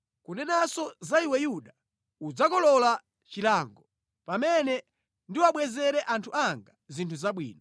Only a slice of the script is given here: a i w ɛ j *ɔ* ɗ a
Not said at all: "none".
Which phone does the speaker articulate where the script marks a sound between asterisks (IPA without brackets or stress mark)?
u